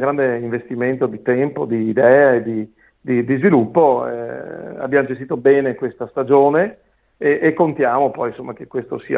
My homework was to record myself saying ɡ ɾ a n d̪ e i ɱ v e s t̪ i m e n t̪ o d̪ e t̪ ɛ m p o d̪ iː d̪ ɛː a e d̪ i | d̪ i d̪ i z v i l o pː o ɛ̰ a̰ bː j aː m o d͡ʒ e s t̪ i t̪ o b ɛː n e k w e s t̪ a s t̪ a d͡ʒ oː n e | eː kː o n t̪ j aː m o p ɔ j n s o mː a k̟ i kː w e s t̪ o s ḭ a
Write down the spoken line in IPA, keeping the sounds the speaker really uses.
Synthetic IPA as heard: ɡ ɾ a n d̪ e i ɱ v e s t̪ i m e n t̪ o d̪ i t̪ ɛ m p o d̪ iː d̪ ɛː a e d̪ i | d̪ i d̪ i z v i l u pː o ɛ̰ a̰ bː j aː m o d͡ʒ e s t̪ i t̪ o b ɛː n e k w e s t̪ a s t̪ a d͡ʒ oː n e | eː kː o n t̪ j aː m o p ɔ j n s o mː a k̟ e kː w e s t̪ o s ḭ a